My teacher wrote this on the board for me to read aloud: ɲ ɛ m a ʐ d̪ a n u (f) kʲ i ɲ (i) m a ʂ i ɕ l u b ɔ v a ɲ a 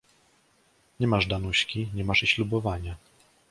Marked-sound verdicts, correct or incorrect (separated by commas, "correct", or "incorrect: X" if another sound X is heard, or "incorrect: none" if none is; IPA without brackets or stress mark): incorrect: ɕ, incorrect: ɛ